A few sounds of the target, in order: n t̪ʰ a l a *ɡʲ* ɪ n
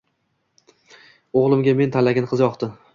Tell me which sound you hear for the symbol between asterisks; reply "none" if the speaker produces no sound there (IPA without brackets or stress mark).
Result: ɡʲ